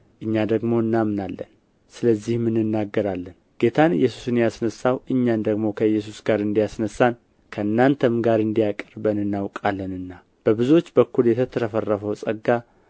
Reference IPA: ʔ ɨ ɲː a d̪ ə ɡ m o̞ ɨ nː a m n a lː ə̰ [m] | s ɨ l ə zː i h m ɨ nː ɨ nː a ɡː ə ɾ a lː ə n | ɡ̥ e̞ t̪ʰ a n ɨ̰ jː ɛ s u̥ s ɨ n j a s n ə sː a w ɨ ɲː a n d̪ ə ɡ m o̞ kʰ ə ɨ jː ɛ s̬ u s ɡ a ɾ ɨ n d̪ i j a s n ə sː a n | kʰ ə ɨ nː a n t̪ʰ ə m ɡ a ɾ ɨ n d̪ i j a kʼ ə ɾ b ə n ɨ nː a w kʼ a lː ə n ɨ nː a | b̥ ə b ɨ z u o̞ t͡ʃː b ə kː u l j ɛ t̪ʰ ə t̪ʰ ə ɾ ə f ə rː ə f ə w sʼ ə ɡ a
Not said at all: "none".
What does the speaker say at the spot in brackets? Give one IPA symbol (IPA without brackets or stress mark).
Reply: n